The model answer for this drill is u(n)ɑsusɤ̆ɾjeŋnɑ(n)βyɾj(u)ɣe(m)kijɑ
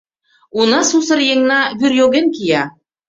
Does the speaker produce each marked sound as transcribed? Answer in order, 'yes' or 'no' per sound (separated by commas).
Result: yes, no, no, no